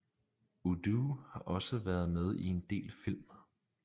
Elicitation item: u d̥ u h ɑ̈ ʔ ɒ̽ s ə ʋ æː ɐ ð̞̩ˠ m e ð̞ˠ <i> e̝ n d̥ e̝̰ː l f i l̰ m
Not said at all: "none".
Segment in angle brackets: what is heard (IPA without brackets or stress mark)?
i